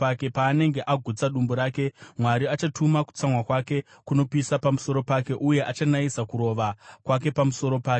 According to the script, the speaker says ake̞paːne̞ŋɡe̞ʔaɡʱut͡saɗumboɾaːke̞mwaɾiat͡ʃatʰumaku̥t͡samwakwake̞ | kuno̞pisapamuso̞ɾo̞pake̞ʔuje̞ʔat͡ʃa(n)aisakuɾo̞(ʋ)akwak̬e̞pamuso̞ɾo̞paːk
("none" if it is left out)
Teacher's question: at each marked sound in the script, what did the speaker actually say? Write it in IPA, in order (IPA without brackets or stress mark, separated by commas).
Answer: n, ʋ